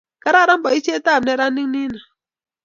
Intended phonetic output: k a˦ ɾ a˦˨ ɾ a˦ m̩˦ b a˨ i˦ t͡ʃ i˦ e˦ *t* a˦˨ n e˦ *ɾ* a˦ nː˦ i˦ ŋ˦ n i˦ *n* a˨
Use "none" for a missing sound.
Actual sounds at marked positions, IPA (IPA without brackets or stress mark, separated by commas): t, ɾ, n